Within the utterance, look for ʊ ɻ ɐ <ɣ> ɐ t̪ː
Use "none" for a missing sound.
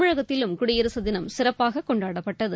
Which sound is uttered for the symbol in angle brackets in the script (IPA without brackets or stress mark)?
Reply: ɣ